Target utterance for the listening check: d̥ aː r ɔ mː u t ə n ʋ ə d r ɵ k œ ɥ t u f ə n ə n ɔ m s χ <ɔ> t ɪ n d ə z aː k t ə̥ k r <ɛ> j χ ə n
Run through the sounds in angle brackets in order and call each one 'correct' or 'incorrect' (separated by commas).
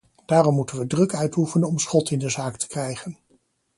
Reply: correct, correct